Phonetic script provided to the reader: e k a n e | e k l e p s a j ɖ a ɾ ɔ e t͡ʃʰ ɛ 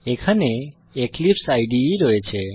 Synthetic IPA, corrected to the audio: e kʰ a n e | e k l i p s a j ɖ i ɾ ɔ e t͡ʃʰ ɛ